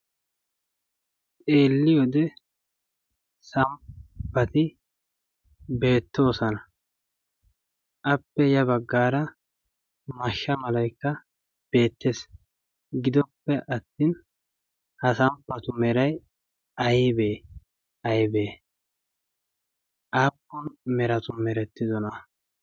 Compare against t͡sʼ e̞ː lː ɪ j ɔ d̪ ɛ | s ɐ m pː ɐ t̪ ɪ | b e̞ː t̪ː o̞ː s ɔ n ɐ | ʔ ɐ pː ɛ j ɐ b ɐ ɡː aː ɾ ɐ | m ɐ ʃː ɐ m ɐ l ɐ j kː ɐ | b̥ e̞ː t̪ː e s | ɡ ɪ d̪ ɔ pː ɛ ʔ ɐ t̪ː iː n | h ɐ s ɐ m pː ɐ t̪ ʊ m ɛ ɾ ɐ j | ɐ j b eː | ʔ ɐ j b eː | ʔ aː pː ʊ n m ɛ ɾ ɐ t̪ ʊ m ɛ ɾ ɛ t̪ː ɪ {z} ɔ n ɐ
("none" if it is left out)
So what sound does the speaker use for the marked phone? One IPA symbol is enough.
z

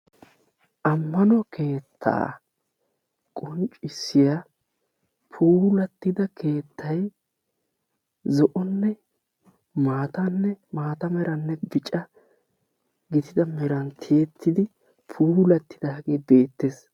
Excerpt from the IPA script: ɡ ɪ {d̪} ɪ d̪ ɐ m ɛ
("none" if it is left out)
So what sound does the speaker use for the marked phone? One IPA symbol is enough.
t̪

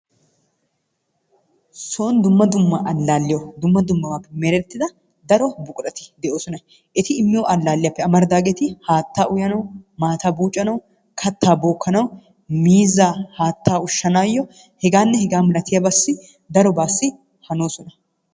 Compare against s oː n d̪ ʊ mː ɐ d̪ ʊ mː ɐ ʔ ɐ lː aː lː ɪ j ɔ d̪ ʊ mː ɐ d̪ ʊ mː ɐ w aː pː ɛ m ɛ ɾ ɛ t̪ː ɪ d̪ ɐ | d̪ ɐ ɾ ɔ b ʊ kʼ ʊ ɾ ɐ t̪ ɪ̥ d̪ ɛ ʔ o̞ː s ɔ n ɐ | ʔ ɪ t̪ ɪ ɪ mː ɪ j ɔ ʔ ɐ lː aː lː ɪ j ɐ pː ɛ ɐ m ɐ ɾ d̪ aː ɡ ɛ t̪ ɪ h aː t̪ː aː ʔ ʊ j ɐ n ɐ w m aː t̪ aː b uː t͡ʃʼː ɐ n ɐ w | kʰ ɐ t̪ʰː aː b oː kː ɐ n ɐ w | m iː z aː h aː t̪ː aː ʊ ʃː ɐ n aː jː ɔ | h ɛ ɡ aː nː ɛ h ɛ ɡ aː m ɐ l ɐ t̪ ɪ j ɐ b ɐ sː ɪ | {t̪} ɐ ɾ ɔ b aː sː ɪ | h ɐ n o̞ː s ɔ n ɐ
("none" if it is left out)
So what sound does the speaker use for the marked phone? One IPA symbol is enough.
d̪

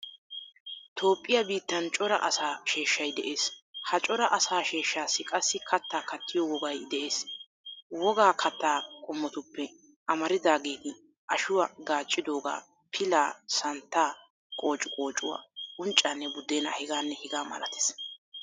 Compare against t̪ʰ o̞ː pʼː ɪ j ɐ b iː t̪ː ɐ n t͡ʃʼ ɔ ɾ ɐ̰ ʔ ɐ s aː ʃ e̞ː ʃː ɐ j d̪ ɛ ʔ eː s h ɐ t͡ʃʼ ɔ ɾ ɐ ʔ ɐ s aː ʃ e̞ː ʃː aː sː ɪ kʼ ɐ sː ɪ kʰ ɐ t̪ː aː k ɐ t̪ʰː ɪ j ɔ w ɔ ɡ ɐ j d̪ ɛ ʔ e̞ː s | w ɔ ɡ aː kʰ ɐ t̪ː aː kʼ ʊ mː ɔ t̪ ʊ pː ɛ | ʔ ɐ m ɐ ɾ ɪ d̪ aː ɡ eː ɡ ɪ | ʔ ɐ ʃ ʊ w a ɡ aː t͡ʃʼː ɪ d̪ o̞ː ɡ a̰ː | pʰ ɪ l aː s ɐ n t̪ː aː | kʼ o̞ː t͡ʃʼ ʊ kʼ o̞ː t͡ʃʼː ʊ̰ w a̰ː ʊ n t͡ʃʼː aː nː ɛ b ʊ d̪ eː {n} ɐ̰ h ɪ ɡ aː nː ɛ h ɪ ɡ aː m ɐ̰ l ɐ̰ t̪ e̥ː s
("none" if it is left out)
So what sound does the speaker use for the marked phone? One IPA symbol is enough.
n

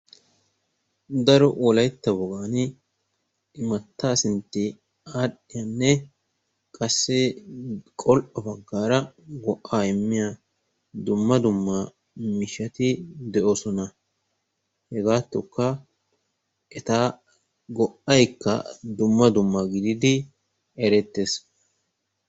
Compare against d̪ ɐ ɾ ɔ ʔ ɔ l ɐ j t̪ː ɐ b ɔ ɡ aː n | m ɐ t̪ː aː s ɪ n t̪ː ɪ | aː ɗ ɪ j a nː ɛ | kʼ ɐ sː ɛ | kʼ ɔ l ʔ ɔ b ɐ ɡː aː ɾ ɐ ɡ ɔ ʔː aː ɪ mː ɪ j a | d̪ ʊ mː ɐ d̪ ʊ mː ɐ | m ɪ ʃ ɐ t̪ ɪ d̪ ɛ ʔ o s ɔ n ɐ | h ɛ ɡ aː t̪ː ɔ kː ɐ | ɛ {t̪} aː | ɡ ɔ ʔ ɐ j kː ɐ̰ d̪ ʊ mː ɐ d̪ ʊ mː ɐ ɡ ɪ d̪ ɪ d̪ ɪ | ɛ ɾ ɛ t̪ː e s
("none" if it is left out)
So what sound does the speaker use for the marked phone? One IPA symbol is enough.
t̪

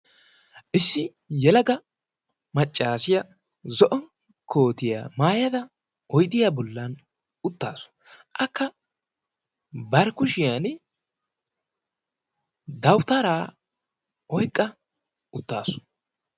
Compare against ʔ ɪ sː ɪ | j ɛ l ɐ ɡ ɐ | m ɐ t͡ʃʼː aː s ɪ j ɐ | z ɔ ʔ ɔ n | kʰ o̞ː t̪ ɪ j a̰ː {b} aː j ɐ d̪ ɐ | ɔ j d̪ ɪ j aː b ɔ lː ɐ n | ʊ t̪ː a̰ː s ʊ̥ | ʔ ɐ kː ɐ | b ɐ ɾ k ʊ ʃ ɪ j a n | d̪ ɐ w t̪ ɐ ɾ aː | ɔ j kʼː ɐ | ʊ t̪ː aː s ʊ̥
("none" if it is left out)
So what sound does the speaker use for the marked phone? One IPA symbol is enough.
m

